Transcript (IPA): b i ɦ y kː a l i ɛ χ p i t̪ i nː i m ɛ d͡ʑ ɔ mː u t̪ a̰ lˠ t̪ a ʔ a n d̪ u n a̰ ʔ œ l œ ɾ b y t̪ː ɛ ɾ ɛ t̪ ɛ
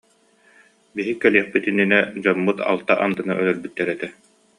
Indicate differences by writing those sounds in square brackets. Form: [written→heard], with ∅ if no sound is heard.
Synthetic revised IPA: b i ɦ [y→i] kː [a→ɛ] l i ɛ χ p i t̪ i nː i [m→n] ɛ d͡ʑ ɔ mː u t̪ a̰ lˠ t̪ a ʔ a n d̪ [u→ɯ] n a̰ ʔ œ l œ ɾ b y t̪ː ɛ ɾ ɛ t̪ ɛ

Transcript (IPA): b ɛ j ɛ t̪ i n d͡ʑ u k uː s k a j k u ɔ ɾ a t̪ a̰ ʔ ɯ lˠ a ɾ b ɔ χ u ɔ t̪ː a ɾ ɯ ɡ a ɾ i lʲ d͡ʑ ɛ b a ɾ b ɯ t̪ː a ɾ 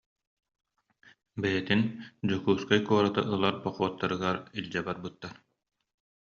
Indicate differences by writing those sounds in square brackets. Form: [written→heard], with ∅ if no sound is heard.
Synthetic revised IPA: b ɛ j ɛ t̪ i n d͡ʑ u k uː s k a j k u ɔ ɾ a t̪ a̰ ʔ ɯ lˠ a ɾ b ɔ χ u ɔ t̪ː a ɾ ɯ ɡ a ɾ i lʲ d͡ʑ ɛ b a ɾ b ɯ t̪ː a ɾ

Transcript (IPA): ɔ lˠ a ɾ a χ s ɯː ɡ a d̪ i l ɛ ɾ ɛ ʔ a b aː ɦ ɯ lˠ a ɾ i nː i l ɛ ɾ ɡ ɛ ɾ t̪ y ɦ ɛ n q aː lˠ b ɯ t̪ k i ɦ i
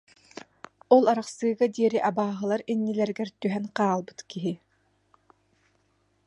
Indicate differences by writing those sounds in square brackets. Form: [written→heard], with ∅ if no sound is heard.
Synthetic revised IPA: ɔ lˠ a ɾ a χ s ɯː ɡ a d̪ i [l→∅] ɛ ɾ [ɛ→i] ʔ a b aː ɦ ɯ lˠ a ɾ i nː i l ɛ ɾ ɡ ɛ ɾ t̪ y ɦ ɛ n q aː lˠ b ɯ t̪ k i ɦ i

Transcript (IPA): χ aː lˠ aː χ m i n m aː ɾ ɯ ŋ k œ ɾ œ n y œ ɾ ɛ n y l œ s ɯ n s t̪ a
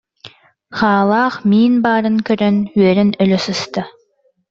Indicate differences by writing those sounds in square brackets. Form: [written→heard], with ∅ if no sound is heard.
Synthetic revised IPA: χ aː lˠ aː χ m [i→iː] n [m→b] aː ɾ ɯ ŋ k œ ɾ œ n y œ ɾ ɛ n [y→œ] l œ s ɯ [n→∅] s t̪ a

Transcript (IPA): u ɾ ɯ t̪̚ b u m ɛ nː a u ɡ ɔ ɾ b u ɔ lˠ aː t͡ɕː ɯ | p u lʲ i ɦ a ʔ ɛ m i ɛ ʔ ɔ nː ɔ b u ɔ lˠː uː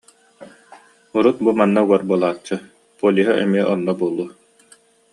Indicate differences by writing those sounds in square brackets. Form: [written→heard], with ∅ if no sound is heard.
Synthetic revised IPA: u ɾ [ɯ→u] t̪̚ b u m [ɛ→a] nː a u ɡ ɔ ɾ b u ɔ lˠ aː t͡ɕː ɯ | p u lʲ i ɦ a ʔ ɛ m i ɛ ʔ ɔ nː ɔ b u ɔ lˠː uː

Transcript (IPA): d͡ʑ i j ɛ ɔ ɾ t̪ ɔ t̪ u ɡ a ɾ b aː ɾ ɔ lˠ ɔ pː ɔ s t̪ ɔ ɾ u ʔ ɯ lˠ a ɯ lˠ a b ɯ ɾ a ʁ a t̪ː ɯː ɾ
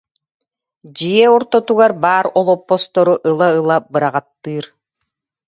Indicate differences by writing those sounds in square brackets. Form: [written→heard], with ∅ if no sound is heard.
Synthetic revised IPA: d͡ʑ i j ɛ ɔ ɾ t̪ ɔ t̪ u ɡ a ɾ b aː ɾ ɔ lˠ ɔ pː ɔ s t̪ ɔ ɾ u ʔ ɯ lˠ a ɯ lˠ a b ɯ ɾ a ʁ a t̪ː ɯː ɾ

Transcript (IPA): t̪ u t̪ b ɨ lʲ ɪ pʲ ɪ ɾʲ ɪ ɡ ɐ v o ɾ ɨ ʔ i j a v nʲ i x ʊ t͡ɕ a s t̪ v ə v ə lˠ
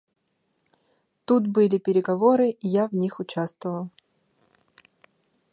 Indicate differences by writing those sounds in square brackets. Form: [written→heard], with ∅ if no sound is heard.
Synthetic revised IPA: t̪ u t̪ b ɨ lʲ ɪ pʲ ɪ ɾʲ ɪ ɡ ɐ v o ɾ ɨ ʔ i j a v nʲ i x ʊ t͡ɕ a s t̪ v ə v ə lˠ

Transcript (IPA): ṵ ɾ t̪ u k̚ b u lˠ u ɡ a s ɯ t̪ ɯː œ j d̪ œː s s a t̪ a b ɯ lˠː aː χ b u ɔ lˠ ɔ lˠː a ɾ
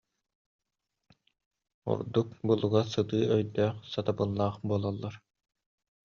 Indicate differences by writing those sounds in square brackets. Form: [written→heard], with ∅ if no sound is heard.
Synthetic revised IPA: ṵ ɾ [t̪→d̪] u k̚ b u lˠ u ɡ a s ɯ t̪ ɯː œ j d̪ œː [s→χ] s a t̪ a b ɯ lˠː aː χ b u ɔ lˠ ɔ lˠː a ɾ

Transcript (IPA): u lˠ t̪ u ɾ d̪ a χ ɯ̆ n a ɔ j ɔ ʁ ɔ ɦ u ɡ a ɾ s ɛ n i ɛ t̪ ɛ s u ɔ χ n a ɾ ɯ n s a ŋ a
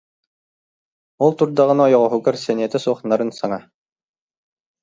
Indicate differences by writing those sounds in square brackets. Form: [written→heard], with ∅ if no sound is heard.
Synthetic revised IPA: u lˠ t̪ u ɾ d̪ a [χ→ʁ] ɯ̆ n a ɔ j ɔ ʁ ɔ ɦ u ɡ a ɾ s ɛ n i ɛ t̪ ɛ s u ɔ χ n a ɾ ɯ n s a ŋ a

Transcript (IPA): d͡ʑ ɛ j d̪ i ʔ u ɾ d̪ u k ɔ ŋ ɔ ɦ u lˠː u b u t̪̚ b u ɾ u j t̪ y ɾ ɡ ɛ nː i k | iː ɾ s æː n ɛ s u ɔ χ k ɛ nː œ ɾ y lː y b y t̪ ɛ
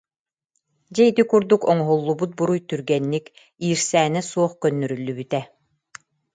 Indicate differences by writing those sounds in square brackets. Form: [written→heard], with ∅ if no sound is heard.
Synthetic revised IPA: d͡ʑ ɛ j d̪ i [ʔ→k] u ɾ d̪ u k ɔ ŋ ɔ ɦ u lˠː u b u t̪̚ b u ɾ u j t̪ y ɾ ɡ ɛ nː i k | iː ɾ s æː n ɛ s u ɔ χ k [ɛ→œ] nː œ ɾ y lː y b y t̪ ɛ

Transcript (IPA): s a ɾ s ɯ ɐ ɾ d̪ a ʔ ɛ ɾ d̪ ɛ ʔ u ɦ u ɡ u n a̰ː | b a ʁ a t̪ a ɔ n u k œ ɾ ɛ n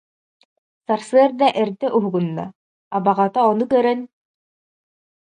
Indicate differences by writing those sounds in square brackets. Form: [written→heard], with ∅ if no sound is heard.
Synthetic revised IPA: s a ɾ s ɯ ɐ ɾ d̪ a ʔ ɛ ɾ d̪ ɛ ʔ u ɦ u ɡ u [n→nː] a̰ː | b a ʁ a t̪ a ɔ n u k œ ɾ ɛ n

